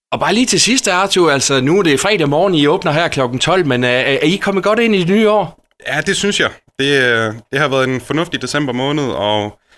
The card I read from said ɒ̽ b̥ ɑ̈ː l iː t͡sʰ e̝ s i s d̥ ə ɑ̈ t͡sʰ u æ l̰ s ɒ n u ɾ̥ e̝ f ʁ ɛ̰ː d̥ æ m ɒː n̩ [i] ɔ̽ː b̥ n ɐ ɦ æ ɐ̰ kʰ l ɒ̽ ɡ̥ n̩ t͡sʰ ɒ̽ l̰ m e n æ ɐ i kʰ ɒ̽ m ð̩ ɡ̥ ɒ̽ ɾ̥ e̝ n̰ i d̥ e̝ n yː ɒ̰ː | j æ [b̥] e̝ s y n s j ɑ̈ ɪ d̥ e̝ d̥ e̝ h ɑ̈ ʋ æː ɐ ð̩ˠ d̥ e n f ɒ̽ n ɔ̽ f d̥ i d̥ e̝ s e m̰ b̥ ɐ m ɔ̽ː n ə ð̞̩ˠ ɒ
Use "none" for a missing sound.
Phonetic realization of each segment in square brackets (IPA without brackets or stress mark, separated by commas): i, d̥